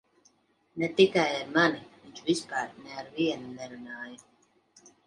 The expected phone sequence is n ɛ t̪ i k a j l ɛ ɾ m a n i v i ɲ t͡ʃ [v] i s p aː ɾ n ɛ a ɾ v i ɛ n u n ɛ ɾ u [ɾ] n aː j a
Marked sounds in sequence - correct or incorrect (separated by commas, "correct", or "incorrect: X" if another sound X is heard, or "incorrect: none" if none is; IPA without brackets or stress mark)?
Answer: correct, incorrect: none